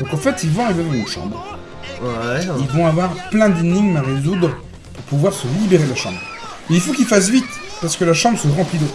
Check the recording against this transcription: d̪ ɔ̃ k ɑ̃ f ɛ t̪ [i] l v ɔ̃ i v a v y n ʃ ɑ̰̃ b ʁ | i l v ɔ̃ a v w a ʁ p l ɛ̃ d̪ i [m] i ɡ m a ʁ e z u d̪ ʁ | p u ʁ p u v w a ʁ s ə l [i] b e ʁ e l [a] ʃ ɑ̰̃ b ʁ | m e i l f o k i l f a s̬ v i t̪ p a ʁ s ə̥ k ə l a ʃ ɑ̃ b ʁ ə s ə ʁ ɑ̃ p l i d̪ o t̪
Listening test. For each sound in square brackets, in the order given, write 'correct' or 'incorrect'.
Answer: correct, incorrect: n, correct, correct

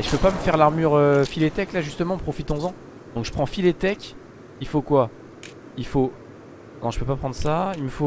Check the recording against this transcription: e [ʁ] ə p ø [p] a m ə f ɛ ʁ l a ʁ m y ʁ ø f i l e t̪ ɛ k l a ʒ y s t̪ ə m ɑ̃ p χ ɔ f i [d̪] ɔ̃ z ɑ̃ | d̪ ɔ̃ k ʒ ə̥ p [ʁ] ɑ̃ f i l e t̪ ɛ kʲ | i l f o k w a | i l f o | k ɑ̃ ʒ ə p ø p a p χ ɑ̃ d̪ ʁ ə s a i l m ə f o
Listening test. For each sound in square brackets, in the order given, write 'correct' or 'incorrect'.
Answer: incorrect: ʒ, correct, incorrect: t̪, incorrect: χ

